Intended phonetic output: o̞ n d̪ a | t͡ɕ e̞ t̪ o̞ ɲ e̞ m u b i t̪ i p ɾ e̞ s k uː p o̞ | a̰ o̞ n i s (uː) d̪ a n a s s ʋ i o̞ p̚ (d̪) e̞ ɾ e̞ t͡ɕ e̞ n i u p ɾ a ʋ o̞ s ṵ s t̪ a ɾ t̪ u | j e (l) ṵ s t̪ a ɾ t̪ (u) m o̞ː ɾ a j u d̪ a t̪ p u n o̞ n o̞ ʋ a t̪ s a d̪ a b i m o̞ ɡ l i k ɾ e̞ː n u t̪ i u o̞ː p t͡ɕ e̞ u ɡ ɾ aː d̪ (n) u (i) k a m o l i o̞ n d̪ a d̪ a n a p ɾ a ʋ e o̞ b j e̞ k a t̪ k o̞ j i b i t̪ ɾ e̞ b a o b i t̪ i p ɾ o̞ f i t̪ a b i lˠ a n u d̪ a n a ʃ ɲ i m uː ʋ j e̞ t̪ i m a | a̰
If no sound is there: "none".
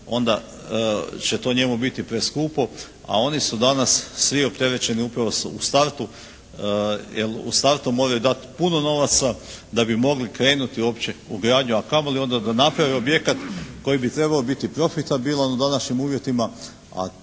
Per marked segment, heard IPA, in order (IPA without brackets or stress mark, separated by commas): u, t̪, l, u, ɲ, a